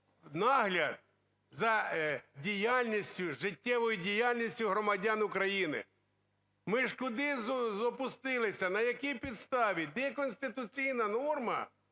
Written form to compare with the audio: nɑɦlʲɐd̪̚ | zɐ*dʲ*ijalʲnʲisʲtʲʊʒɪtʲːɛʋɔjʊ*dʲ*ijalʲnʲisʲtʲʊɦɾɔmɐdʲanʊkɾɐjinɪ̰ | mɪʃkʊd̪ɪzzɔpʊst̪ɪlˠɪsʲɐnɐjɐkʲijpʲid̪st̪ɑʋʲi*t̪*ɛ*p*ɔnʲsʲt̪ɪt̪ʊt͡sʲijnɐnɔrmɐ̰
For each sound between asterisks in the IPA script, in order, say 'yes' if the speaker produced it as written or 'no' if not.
yes, yes, no, no

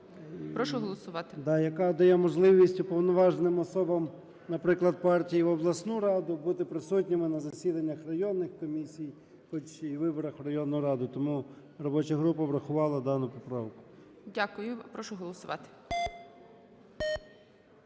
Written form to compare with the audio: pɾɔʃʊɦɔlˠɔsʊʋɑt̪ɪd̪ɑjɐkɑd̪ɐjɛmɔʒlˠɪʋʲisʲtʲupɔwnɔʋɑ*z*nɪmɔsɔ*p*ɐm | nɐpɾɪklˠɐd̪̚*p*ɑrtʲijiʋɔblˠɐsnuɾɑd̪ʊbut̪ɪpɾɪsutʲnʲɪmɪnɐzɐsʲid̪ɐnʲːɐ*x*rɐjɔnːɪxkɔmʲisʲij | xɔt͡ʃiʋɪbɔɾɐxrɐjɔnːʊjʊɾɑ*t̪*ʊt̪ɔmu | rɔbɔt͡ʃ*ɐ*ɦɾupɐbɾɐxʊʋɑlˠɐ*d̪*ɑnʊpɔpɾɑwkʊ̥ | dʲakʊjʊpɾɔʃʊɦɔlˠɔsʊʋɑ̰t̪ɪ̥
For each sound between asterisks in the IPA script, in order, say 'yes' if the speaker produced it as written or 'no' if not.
no, no, yes, yes, no, yes, yes

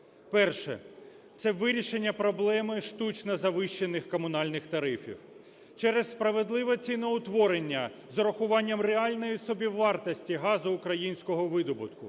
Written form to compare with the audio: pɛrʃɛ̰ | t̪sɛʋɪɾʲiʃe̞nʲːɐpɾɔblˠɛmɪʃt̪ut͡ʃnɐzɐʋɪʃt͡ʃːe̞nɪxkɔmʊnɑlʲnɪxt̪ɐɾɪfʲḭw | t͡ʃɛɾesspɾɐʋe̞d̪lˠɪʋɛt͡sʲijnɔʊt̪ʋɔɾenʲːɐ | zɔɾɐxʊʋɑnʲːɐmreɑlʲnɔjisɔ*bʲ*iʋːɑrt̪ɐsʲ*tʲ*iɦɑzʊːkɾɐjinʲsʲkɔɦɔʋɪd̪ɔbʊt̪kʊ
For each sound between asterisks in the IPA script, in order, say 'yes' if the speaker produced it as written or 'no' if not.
yes, yes

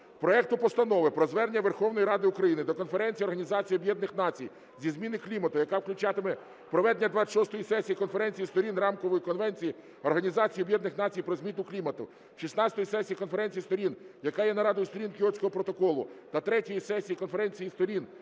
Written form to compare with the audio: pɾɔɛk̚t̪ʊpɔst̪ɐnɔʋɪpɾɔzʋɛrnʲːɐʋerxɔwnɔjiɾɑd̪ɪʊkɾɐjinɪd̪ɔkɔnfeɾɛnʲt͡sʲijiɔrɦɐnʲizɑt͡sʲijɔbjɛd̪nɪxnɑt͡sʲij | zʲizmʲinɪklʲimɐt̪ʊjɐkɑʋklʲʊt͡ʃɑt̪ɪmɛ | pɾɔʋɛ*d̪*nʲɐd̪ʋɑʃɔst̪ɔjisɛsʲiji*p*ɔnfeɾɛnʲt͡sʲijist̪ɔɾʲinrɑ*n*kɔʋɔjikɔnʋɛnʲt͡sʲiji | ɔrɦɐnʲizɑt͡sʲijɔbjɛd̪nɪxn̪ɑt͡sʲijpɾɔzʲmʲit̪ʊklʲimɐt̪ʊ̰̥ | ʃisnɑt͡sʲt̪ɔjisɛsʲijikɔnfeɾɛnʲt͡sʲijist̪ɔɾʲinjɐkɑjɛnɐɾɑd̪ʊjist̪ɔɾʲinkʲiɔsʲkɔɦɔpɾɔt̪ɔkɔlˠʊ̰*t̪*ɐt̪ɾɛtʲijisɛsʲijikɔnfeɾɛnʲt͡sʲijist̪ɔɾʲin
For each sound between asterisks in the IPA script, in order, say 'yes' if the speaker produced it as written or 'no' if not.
yes, no, no, yes

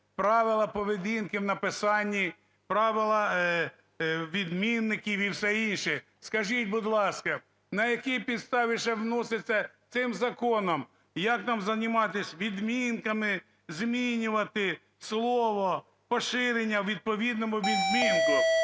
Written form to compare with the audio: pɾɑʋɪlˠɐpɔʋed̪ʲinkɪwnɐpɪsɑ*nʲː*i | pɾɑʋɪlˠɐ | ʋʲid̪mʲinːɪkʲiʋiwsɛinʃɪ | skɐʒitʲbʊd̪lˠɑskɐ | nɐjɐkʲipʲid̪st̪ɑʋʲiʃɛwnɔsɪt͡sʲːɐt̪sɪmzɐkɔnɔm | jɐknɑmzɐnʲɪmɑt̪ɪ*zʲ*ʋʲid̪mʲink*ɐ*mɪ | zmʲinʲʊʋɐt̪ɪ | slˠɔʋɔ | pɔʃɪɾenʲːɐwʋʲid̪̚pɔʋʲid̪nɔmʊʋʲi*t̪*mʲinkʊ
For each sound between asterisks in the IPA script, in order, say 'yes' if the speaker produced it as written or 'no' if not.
yes, no, yes, no

